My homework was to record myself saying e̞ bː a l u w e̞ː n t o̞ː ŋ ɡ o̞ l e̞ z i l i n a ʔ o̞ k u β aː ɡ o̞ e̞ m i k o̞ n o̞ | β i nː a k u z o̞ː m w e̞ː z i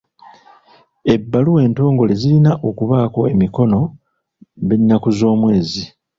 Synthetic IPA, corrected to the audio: e̞ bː a l u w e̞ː n t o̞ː ŋ ɡ o̞ l e̞ z i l i n a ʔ o̞ k u β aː k o̞ e̞ m i k o̞ n o̞ | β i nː a k u z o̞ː m w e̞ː z i